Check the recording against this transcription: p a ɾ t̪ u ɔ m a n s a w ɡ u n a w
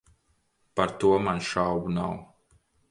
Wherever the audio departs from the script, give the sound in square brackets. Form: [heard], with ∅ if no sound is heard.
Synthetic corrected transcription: p a ɾ t̪ u ɔ m a n [ʃ] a w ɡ u n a w